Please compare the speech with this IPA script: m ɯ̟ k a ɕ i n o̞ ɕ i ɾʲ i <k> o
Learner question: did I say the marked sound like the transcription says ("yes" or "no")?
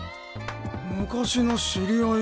no